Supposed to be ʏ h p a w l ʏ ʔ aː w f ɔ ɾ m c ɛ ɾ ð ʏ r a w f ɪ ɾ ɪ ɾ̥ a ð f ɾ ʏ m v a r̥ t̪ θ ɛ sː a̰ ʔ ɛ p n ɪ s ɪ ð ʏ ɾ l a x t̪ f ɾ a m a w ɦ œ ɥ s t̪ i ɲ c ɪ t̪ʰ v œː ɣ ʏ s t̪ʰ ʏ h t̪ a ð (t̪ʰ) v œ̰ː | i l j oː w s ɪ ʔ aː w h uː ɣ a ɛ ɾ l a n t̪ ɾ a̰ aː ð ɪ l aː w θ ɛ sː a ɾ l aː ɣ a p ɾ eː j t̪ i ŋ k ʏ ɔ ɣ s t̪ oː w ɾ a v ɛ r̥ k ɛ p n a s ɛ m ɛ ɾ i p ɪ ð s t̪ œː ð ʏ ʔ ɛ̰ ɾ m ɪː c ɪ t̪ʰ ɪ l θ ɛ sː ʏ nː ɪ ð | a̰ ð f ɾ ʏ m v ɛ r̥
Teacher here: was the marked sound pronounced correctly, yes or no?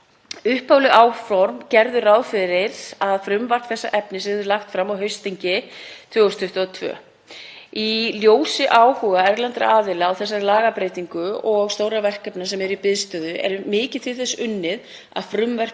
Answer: yes